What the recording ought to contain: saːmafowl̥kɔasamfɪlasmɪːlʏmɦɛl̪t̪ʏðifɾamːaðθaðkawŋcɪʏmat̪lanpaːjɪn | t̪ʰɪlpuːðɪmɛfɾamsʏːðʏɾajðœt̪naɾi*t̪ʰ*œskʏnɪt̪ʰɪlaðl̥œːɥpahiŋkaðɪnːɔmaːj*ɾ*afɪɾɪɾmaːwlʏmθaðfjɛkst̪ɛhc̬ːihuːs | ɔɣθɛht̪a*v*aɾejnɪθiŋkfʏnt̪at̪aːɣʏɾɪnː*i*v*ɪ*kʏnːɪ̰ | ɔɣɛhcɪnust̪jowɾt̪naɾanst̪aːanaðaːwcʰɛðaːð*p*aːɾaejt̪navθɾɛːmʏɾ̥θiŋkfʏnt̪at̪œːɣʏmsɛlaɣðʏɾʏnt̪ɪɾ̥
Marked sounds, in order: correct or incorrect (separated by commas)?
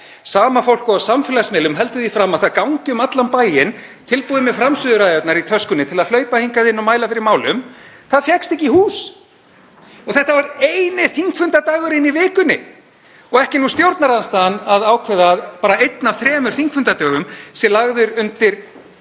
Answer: correct, incorrect, correct, correct, incorrect, correct